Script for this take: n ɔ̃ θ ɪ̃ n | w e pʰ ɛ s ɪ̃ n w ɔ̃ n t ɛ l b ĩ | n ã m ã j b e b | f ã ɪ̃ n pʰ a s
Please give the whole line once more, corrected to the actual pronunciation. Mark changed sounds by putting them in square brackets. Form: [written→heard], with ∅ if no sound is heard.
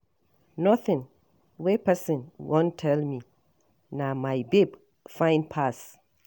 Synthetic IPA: n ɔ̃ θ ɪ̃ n | w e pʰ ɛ s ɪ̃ n w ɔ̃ n [t→tʰ] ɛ l [b→m] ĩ | n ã m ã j b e b | f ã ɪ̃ n pʰ a s